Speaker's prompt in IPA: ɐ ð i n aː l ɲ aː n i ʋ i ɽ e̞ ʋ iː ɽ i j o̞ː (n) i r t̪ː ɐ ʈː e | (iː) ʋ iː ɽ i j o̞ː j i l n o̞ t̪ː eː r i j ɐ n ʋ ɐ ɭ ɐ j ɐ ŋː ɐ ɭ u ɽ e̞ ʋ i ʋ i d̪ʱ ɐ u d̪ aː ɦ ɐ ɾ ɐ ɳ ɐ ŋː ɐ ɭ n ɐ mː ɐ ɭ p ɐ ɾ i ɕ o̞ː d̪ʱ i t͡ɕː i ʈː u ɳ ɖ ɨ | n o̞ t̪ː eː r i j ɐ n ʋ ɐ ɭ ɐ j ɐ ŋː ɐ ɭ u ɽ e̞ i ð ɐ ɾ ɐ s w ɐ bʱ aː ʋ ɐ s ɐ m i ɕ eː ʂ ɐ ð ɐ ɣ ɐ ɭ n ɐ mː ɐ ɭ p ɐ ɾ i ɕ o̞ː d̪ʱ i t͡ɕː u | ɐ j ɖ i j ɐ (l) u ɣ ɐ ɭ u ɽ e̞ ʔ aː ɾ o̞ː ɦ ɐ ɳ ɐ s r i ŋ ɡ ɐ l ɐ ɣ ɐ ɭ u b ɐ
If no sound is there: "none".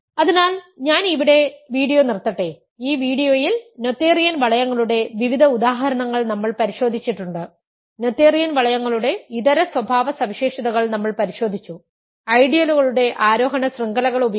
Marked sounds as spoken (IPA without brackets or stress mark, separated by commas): n, iː, l